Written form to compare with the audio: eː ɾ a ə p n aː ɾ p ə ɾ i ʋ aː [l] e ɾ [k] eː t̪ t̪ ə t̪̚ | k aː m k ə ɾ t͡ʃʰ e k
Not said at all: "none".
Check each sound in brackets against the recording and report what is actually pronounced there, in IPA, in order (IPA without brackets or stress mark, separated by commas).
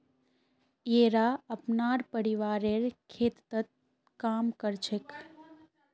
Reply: ɾ, kʰ